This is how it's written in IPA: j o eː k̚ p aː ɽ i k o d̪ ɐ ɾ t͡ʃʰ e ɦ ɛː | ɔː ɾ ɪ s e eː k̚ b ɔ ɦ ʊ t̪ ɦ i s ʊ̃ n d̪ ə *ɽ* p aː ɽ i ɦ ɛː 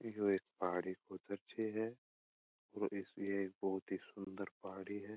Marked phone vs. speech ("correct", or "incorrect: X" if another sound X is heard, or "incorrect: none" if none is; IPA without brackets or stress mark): incorrect: ɾ